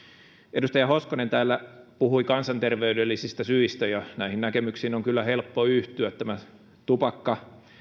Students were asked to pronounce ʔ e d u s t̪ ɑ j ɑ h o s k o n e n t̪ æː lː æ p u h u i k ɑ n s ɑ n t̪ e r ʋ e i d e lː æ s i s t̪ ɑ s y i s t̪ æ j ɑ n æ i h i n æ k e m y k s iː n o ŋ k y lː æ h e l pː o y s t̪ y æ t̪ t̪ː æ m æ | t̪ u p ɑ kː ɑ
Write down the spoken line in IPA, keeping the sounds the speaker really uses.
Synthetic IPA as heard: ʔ e d u s t̪ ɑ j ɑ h o s k o n e n t̪ æː lː æ p u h u i k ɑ n s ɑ n t̪ e r ʋ e y d e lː i s i s t̪ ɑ s y i s t̪ æ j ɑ n æ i h i n æ k e m y k s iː n o ŋ k y lː æ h e l pː o y h t̪ y æ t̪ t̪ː æ m æ | t̪ u p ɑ kː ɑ